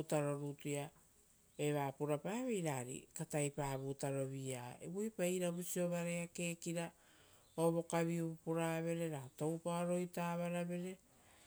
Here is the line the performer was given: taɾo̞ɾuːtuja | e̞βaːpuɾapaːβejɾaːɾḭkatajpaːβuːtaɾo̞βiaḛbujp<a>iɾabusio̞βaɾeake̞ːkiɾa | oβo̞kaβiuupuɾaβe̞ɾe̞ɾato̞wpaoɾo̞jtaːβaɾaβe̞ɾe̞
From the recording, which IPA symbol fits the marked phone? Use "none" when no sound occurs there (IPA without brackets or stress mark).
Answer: a